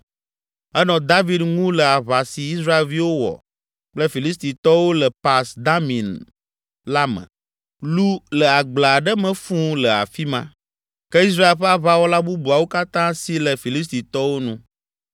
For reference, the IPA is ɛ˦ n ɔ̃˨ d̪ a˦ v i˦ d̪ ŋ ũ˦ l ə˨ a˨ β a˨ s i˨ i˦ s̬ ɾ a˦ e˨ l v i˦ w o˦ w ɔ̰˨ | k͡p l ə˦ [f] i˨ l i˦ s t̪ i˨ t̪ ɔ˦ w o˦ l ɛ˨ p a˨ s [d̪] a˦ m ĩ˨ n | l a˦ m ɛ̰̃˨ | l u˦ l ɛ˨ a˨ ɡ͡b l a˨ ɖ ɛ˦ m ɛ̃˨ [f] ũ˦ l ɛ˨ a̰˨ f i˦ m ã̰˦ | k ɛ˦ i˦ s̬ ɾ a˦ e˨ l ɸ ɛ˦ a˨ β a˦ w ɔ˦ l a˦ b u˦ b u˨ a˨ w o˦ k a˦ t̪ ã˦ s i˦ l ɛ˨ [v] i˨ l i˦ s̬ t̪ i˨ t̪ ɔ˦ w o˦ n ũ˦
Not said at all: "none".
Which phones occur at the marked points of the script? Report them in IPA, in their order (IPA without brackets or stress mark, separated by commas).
f, d̪, f, f